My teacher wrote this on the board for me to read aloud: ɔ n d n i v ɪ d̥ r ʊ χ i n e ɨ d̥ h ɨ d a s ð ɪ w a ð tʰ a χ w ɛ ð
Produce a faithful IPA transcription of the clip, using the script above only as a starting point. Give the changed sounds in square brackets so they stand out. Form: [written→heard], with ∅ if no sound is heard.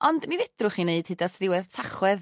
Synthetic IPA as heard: ɔ n d [n→m] i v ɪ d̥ r ʊ χ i n e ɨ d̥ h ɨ d a s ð ɪ w [a→ɛ] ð tʰ a χ w ɛ ð

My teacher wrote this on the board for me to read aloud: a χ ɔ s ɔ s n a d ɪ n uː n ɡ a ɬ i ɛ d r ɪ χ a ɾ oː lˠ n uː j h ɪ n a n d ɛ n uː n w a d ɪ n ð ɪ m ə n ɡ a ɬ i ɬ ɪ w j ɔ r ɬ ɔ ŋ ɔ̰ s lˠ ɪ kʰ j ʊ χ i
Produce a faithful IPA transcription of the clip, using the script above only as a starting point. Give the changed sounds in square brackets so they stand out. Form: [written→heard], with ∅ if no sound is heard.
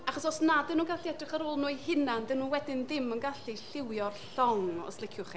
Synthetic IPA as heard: a χ ɔ s ɔ s n a d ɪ n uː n ɡ a ɬ i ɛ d r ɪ χ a ɾ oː lˠ n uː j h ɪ n a n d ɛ n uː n w [a→ɛ] d ɪ n ð ɪ m ə n ɡ a ɬ i ɬ ɪ w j ɔ r ɬ ɔ ŋ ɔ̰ s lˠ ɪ kʰ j ʊ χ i

